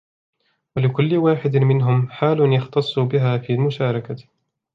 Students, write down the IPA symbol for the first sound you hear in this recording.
w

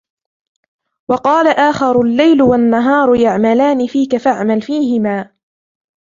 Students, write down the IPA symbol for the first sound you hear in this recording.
w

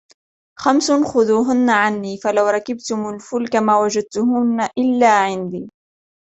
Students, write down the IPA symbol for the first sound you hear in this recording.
x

